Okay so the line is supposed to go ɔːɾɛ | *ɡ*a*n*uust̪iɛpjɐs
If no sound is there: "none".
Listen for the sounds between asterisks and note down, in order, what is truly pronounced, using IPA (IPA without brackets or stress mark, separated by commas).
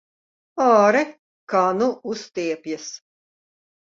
k, n